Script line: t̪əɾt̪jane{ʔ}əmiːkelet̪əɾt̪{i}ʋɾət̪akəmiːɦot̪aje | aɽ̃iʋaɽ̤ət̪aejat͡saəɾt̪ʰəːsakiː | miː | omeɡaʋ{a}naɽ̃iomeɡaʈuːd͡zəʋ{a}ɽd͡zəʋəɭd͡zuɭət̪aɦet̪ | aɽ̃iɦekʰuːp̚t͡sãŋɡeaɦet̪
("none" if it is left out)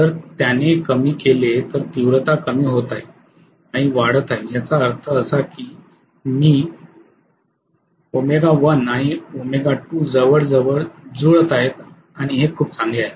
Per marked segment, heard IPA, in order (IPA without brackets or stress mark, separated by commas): k, i, ə, ə